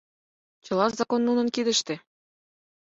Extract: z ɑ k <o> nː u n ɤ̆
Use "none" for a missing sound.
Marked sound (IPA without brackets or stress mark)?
o